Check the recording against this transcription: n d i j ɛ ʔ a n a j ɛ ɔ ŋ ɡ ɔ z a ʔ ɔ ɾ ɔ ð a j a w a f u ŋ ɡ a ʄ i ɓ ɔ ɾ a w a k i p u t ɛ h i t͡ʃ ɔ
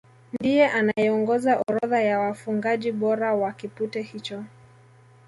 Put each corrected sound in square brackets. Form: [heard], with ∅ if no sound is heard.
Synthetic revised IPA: n d i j ɛ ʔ a n a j ɛ ɔ ŋ ɡ ɔ z a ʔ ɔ ɾ ɔ ð a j a w a f u ŋ ɡ a ʄ i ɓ ɔ ɾ a w a k i p u t ɛ h i t͡ʃ ɔ